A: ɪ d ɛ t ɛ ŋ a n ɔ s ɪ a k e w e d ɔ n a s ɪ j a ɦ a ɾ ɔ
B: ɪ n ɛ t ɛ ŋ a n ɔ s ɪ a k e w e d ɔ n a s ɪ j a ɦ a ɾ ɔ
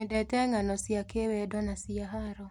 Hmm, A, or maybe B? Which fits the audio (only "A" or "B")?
A